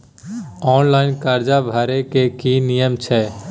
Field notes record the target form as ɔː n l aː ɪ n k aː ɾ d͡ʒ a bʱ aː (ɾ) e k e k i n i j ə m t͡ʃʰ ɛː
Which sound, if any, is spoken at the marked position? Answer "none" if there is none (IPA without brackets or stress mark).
ɾ